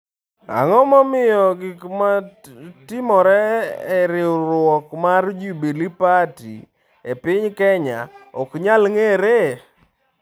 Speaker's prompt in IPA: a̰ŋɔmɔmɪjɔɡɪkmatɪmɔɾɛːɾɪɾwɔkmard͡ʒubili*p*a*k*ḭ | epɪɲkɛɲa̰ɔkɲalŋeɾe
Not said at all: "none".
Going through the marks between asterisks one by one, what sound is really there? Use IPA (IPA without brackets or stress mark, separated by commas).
p, t